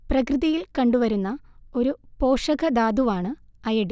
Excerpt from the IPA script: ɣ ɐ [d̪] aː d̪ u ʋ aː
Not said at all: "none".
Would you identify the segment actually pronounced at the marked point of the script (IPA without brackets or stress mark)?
d̪